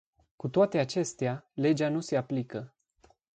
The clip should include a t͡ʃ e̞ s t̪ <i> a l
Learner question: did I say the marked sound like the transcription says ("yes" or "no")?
no